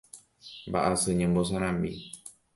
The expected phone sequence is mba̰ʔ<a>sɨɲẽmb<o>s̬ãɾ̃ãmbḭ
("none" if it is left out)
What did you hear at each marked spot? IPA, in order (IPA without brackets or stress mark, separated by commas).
a, o